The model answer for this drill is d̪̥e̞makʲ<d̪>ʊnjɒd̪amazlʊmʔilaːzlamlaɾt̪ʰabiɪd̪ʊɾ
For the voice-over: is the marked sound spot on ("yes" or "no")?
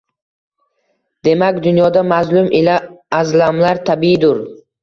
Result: yes